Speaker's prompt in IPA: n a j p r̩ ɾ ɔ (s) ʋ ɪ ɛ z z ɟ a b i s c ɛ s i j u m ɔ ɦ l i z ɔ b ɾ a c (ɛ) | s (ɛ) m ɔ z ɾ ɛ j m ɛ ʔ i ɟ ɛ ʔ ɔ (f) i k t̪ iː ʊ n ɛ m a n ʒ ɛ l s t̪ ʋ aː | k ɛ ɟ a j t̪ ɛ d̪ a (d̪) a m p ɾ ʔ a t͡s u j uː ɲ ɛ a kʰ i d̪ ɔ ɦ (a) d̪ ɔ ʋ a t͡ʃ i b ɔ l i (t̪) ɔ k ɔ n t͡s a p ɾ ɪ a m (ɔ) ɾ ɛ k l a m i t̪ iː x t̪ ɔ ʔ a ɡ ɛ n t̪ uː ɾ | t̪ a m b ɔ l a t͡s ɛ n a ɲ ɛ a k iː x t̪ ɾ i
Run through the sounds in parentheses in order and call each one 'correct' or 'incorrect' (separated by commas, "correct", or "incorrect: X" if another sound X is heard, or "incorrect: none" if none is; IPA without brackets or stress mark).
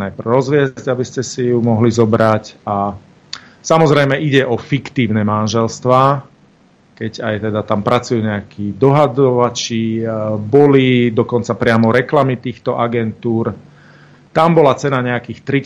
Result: incorrect: z, incorrect: a, incorrect: a, correct, incorrect: t̪, correct, incorrect: d̪, correct